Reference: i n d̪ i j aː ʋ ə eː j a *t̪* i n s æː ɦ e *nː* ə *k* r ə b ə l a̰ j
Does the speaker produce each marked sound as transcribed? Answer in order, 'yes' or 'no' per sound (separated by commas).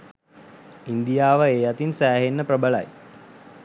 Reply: yes, yes, no